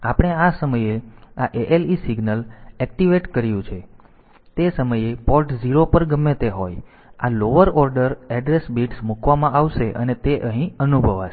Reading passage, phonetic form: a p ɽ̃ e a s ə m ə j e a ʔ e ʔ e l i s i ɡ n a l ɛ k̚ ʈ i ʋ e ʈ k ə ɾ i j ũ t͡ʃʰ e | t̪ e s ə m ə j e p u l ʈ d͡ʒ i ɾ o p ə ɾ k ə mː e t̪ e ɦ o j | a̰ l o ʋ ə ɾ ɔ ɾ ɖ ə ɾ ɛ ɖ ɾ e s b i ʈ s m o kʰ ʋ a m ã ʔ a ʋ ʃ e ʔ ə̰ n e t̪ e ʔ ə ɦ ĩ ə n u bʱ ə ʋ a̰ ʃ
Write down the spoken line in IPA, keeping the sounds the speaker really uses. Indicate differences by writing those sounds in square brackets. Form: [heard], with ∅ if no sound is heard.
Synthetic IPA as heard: a p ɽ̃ e a s ə m ə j e a ʔ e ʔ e l i s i ɡ n [ə] l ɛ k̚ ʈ i ʋ e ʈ k ə ɾ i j ũ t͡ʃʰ e | t̪ e s ə m ə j e p [ɔ] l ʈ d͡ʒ i ɾ o p ə ɾ [ɡ] ə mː e t̪ e ɦ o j | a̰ l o ʋ ə ɾ ɔ ɾ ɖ ə ɾ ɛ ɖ ɾ e s b i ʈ s m [u] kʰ ʋ a m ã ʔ a ʋ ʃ e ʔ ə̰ n e t̪ e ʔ ə ɦ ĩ ə n u bʱ ə ʋ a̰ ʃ